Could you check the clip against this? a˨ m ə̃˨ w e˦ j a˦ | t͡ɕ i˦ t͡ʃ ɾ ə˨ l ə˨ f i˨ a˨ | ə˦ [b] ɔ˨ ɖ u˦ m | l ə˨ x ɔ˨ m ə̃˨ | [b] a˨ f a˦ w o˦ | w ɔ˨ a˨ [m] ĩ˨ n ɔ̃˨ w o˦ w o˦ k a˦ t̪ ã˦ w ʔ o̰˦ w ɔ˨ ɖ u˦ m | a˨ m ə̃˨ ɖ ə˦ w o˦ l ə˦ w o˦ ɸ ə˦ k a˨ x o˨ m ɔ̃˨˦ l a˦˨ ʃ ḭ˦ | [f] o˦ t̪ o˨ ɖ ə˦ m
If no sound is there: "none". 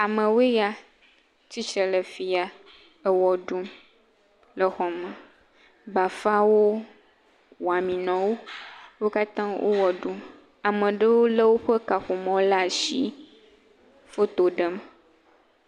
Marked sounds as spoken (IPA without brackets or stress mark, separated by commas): w, b, m, f